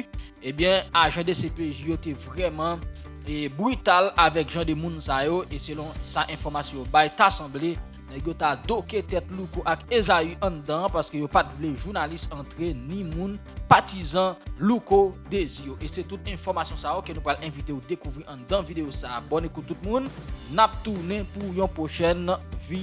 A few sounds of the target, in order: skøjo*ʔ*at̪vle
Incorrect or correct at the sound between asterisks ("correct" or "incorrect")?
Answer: incorrect